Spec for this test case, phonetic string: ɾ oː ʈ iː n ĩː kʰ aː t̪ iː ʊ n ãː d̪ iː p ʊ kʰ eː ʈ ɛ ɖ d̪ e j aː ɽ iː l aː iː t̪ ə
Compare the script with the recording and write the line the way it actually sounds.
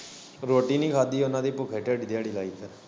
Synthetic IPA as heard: ɾ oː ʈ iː n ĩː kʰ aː d̪ iː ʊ n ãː d̪ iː p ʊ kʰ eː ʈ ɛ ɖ d̪ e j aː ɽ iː l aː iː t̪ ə